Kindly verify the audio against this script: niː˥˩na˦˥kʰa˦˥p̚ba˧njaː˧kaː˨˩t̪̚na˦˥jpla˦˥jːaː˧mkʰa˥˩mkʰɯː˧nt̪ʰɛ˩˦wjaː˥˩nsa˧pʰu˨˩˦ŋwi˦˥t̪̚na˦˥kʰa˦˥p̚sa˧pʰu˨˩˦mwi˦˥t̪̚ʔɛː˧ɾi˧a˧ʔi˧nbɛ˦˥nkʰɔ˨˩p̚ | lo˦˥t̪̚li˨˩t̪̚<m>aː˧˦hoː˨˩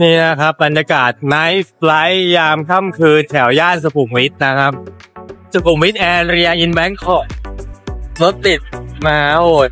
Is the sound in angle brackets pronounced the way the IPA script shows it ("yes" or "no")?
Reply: yes